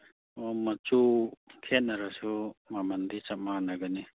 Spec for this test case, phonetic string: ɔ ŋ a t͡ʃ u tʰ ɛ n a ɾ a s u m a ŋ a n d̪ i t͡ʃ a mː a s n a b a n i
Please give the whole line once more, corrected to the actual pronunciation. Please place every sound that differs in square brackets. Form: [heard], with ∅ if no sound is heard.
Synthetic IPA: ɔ [m] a t͡ʃ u [kʰ] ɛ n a ɾ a s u m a [m] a n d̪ i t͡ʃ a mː a [∅] n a [ɡ] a n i